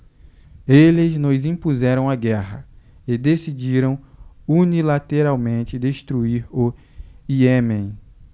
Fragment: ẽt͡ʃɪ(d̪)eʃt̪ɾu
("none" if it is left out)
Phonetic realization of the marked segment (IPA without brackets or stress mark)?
d̪